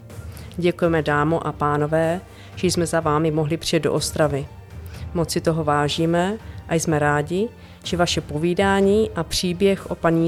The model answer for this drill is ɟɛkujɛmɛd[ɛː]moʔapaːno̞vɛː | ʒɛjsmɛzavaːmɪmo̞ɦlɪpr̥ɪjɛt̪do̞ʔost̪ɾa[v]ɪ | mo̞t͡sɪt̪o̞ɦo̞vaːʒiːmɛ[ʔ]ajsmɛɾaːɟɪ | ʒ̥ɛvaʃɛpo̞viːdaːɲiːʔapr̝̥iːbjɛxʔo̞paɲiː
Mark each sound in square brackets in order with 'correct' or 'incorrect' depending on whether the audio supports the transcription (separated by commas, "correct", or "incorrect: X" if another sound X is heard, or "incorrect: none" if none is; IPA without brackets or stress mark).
incorrect: aː, correct, correct